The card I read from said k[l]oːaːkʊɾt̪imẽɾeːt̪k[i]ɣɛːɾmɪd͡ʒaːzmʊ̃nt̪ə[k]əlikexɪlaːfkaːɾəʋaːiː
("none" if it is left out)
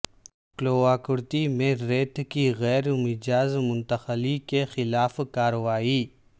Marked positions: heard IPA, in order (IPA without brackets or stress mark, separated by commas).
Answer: l, i, x